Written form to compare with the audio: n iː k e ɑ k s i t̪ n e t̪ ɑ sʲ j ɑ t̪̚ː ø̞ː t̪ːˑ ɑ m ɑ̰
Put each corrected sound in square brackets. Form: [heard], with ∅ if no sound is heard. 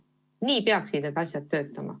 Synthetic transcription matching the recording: n iː [p] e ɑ k s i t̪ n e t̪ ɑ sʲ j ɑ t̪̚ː ø̞ː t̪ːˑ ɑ m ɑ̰